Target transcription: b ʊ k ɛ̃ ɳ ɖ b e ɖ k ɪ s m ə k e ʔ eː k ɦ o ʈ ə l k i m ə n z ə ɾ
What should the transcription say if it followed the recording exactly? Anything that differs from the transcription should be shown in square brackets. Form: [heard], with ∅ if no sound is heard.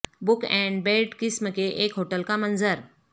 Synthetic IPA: b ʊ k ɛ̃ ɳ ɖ b e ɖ k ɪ s m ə k e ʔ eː k ɦ o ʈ ə l k [a] m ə n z ə ɾ